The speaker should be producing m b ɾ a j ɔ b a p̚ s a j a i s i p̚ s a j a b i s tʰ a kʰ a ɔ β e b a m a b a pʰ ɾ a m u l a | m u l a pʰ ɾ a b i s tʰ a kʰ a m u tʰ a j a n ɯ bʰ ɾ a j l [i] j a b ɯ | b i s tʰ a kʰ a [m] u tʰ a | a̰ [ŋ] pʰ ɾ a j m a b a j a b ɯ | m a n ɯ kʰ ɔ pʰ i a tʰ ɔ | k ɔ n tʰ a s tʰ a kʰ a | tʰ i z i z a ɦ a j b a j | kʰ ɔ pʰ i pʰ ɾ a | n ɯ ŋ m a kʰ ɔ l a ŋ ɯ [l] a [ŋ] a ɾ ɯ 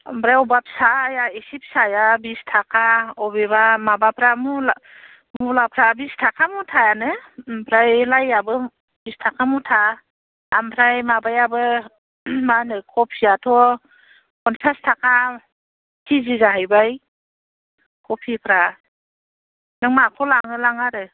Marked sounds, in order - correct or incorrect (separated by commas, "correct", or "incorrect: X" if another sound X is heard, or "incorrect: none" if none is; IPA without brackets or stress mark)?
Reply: incorrect: a, correct, incorrect: m, correct, correct